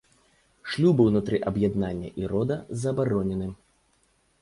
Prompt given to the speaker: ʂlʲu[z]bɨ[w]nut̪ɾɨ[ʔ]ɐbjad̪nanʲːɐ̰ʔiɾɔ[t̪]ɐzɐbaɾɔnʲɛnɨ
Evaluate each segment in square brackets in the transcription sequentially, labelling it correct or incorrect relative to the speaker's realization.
incorrect, correct, correct, incorrect

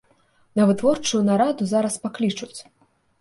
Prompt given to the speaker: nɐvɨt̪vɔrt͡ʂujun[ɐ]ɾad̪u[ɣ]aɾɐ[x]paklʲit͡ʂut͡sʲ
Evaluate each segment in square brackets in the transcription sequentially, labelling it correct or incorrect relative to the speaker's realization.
incorrect, incorrect, incorrect

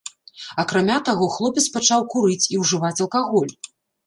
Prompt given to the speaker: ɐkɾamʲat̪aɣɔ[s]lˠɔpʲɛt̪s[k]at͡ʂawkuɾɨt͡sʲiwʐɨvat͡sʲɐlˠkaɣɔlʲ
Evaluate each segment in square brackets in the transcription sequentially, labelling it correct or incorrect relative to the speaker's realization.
incorrect, incorrect

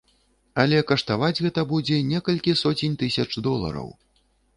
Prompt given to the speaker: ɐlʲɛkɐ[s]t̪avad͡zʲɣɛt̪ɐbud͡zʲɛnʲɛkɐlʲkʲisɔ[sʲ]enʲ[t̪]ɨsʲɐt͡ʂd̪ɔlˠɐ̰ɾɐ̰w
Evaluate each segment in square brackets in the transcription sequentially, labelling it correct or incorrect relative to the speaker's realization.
incorrect, incorrect, correct

